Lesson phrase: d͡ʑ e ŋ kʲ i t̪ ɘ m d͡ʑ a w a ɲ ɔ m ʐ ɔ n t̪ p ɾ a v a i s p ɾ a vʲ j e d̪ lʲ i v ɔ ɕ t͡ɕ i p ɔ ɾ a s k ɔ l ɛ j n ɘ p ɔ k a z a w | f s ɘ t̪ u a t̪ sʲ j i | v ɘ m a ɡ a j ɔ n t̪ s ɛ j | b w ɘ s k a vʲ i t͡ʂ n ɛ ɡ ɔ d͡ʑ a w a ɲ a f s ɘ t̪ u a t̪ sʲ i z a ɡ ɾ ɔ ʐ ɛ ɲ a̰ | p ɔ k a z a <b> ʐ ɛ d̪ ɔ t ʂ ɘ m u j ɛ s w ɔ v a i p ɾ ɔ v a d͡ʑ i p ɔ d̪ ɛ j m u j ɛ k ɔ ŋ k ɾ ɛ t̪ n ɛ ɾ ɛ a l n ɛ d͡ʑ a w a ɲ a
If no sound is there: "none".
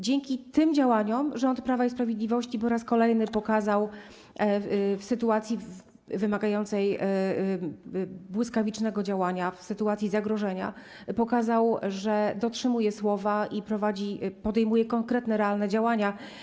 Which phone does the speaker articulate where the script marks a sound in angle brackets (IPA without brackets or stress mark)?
w